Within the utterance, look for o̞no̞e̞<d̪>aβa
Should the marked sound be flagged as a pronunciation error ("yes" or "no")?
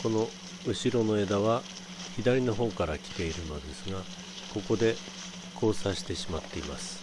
no